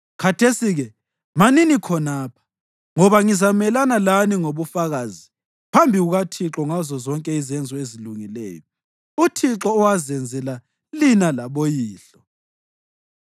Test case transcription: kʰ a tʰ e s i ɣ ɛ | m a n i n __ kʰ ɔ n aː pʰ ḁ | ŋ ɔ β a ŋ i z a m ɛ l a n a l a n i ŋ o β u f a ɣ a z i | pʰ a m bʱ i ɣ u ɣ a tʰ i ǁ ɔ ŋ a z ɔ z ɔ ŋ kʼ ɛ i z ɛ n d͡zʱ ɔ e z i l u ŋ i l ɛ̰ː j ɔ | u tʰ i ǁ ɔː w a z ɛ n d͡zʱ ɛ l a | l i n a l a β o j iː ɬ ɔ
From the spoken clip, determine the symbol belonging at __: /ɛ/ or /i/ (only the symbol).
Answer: i